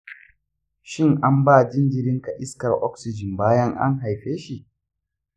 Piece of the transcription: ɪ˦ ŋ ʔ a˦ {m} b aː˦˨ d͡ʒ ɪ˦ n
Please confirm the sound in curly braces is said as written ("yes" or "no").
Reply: yes